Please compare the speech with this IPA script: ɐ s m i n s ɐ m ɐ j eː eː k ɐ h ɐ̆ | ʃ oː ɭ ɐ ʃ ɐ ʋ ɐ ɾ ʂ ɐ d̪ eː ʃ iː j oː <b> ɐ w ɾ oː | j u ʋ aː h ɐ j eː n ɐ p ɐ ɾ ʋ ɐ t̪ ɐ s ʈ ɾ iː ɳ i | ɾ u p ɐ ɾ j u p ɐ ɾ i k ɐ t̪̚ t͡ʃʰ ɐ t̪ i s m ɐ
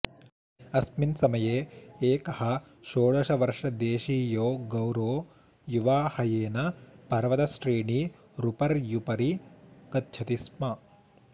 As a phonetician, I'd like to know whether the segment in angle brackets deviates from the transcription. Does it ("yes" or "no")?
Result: yes